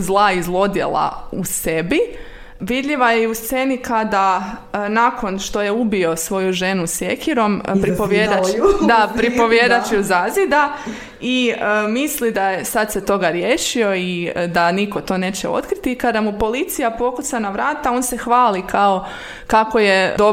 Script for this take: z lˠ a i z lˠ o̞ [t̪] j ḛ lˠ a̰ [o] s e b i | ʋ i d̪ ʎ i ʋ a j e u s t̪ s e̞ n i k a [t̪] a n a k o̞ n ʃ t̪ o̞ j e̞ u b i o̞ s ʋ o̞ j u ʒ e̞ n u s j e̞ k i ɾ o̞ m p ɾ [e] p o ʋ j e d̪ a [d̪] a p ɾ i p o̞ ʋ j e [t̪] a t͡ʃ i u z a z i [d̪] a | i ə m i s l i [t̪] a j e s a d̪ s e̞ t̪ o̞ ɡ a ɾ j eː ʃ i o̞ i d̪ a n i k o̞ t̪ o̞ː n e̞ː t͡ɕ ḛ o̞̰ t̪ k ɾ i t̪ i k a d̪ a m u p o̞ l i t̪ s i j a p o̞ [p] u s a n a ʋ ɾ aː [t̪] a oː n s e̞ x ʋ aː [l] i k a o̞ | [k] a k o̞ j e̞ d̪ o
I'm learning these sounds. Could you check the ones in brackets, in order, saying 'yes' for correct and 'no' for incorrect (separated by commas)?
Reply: no, no, no, no, yes, no, yes, no, no, yes, yes, yes